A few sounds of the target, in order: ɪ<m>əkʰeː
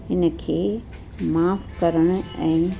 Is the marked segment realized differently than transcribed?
yes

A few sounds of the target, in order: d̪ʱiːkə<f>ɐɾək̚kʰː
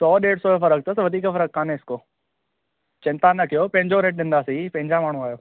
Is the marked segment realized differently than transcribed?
no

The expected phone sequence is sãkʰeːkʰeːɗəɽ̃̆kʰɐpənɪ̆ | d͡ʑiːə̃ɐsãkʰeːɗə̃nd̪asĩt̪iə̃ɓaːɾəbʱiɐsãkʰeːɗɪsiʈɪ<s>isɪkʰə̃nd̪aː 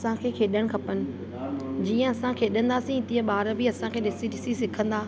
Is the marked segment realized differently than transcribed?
no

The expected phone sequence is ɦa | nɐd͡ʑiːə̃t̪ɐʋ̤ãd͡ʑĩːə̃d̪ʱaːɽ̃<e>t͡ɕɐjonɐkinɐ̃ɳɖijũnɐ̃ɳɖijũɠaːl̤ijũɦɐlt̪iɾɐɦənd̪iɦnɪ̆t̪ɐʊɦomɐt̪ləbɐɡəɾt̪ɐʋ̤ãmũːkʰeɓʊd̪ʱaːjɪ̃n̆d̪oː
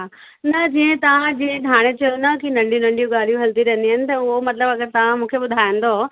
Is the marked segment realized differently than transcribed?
no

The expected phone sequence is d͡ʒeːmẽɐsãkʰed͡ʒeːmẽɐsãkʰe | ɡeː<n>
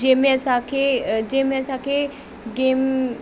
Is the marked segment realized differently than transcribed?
yes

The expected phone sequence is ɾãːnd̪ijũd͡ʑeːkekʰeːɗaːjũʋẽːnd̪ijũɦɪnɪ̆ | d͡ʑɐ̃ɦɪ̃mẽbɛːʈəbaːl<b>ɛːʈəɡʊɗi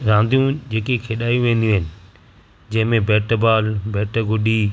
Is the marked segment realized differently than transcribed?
no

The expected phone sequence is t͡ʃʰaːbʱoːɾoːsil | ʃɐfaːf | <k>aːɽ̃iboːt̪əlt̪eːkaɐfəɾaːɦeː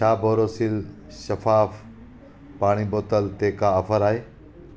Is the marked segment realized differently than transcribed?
yes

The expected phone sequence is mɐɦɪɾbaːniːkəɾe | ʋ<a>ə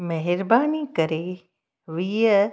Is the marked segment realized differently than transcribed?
yes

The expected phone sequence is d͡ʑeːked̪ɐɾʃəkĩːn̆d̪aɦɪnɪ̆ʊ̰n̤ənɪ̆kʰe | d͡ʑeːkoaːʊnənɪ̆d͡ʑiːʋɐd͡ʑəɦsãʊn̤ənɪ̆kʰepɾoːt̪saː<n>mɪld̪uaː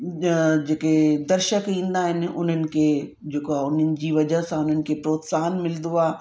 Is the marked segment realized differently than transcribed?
no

